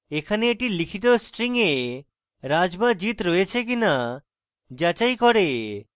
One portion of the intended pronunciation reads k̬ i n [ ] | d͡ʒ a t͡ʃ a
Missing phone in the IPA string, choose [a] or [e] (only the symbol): a